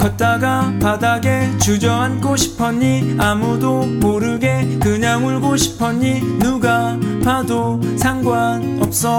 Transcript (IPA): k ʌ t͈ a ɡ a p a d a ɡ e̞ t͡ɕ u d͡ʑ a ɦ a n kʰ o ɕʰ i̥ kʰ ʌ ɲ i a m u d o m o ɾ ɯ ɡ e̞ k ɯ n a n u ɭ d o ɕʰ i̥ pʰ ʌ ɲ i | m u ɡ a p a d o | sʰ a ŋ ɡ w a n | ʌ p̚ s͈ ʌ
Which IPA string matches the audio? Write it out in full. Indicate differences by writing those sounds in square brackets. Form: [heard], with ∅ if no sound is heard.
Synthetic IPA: k ʌ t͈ a ɡ a p a d a ɡ e̞ t͡ɕ u d͡ʑ [ʌ] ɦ a n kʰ o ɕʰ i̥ [pʰ] ʌ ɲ i a m u d o m o ɾ ɯ ɡ e̞ k ɯ [ɲ] a [ŋ] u ɭ [ɡ] o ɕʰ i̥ pʰ ʌ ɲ i | [n] u ɡ a p a d o | sʰ a ŋ ɡ w a n | ʌ p̚ s͈ ʌ